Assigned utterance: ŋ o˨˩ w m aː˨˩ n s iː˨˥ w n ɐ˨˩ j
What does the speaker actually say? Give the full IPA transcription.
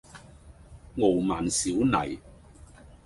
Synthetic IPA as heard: ŋ o˨˩ w m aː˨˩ n s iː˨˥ w n ɐ˨˩ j

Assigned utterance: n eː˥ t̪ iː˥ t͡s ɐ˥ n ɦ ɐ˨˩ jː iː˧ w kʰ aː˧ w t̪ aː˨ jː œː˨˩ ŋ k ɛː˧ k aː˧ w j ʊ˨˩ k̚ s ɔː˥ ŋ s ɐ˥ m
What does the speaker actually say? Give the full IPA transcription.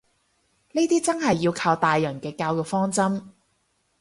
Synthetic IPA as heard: n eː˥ t̪ iː˥ t͡s ɐ˥ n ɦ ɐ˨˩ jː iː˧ w kʰ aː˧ w t̪ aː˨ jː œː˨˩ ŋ k ɛː˧ k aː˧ w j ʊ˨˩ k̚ f ɔː˥ ŋ t͡s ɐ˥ m

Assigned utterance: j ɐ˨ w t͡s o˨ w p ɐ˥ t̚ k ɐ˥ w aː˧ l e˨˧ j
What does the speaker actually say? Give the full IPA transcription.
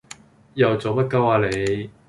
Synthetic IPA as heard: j ɐ˨ w t͡s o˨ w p ɐ˥ t̚ k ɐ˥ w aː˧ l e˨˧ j

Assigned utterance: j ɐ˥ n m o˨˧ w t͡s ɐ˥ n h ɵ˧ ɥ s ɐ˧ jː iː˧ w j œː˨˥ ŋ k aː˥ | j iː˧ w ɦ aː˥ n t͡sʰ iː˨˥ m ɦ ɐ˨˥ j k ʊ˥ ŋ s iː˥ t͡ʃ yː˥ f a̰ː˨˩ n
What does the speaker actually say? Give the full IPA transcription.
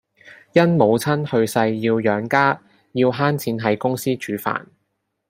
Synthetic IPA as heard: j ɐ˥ n m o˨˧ w t͡sʰ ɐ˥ n h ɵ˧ ɥ s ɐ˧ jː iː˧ w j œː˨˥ ŋ k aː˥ | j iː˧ w ɦ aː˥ n t͡sʰ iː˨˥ n ɦ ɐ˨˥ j k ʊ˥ ŋ s iː˥ t͡ʃ yː˨˥ f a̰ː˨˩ n

